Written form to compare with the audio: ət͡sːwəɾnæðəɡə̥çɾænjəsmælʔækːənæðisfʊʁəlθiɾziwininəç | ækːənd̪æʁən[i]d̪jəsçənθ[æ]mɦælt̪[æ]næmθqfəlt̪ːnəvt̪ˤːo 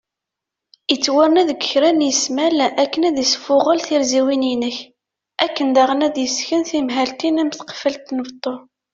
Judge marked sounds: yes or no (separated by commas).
no, no, no